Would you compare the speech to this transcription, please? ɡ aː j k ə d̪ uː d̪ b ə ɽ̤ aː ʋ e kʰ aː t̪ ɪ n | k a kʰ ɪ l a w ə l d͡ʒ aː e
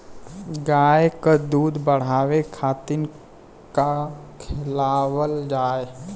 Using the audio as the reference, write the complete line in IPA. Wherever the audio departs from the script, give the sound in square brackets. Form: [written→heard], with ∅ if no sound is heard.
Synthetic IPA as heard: ɡ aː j k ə d̪ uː d̪ b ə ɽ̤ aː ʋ e kʰ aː t̪ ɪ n | k a kʰ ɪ l a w ə l d͡ʒ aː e